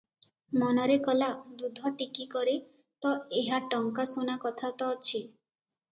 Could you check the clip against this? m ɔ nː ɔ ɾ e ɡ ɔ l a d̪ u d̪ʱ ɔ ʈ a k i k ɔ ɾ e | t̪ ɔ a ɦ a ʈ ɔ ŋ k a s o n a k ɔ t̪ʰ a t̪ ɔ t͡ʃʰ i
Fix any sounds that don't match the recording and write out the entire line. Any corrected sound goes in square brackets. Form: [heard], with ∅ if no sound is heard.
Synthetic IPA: m ɔ [n] ɔ ɾ e [k] ɔ l a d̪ u d̪ʱ ɔ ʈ [i] k i k ɔ ɾ e | t̪ ɔ [e] ɦ a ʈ ɔ ŋ k a s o n a k ɔ t̪ʰ a t̪ ɔ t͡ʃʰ i